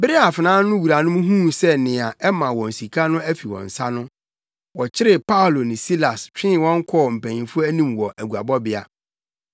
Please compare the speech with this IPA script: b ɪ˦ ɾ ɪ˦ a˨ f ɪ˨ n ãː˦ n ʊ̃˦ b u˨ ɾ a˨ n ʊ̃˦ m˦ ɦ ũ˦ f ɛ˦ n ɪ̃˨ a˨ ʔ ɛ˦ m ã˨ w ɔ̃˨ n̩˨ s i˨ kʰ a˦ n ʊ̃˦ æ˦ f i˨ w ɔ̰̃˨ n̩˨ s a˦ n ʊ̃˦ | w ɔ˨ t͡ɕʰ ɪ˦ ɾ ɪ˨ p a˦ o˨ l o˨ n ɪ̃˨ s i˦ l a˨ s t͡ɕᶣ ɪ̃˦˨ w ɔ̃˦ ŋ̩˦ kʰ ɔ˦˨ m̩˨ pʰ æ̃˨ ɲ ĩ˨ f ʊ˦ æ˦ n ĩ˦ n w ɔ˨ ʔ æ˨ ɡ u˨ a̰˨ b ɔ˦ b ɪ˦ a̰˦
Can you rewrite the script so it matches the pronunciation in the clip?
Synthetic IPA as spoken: b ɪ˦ ɾ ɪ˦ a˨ f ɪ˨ n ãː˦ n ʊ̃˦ w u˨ ɾ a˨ n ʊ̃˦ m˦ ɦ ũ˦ s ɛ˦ n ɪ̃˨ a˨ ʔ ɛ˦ m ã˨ w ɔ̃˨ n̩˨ s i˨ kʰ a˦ n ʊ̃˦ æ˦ f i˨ w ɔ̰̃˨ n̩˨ s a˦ n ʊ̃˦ | w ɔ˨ t͡ɕʰ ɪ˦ ɾ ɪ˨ p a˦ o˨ l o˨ n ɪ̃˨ s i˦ l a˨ s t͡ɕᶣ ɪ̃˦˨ w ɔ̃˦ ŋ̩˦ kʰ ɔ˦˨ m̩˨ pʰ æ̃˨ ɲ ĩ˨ f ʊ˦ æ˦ n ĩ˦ m w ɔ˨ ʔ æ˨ ɡ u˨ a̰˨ b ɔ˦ b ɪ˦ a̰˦